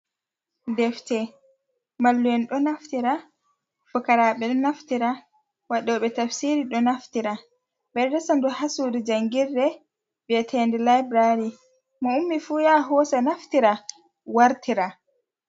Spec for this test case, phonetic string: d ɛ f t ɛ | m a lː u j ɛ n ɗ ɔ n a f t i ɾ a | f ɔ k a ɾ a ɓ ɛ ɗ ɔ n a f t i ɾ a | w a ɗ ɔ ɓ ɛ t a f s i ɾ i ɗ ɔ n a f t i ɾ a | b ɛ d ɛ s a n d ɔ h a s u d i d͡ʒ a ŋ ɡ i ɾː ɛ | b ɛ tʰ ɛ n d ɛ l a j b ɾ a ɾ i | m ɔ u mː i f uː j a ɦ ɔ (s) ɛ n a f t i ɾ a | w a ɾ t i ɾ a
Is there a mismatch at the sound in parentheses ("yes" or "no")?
no